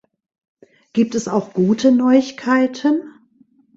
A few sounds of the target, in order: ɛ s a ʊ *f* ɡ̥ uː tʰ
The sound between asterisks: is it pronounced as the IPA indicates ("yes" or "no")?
no